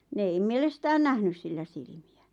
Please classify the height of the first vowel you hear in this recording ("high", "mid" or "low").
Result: mid